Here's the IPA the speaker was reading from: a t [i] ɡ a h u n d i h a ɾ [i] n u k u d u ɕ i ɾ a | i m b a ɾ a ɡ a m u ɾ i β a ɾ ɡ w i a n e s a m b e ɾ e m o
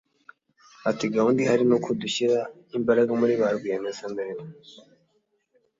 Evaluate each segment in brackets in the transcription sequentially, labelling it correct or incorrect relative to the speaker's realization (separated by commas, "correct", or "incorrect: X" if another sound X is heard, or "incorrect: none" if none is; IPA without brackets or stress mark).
correct, correct